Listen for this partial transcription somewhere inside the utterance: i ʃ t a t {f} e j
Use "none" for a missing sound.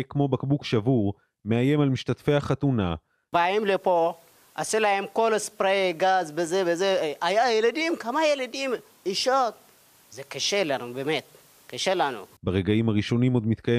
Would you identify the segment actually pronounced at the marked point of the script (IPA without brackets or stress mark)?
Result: f